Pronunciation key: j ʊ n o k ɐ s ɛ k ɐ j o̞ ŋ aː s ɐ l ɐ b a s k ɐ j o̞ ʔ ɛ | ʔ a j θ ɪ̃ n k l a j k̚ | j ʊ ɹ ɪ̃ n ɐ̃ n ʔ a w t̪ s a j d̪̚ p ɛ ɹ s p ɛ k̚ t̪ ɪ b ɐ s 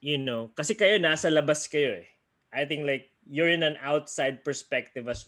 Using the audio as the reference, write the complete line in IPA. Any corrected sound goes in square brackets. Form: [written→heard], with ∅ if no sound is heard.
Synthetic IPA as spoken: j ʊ n o k ɐ s ɛ k ɐ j o̞ [ŋ→n] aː s ɐ l ɐ b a s k ɐ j o̞ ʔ ɛ | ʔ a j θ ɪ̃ [n→ŋ] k l a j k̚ | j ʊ ɹ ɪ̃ n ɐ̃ n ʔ a w t̪ s a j d̪̚ p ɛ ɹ s p ɛ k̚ t̪ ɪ [b→v] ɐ s